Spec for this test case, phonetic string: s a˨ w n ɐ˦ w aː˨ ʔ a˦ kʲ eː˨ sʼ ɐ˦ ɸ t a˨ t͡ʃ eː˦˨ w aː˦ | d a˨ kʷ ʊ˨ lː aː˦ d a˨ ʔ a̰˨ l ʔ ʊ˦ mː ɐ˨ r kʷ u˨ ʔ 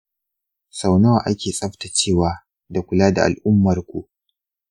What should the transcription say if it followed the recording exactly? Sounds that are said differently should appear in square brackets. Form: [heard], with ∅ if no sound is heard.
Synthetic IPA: s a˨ w n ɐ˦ w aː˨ ʔ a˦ kʲ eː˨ sʼ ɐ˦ ɸ t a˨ t͡ʃ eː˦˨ w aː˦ | d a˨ kʷ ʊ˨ [l] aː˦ d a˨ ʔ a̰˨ l ʔ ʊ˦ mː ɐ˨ r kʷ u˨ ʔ